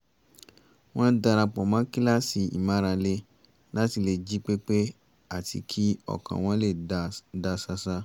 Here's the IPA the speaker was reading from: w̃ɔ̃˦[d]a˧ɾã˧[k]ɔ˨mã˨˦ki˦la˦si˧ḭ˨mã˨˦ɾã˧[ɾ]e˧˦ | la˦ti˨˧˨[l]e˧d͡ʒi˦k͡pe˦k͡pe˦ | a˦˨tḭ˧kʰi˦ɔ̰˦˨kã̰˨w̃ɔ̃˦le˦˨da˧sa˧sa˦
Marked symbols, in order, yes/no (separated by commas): yes, no, no, yes